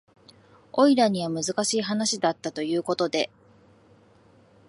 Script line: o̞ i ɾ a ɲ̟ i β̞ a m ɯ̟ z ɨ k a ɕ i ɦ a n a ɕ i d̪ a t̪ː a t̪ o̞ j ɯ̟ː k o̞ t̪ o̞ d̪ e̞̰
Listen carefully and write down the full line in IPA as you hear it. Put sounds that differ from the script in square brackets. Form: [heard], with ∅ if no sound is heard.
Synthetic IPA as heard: o̞ i ɾ a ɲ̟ i β̞ a m ɯ̟ z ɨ k a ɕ [iː] ɦ a n a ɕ i d̪ a t̪ː a t̪ o̞ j ɯ̟ː k o̞ t̪ o̞ d̪ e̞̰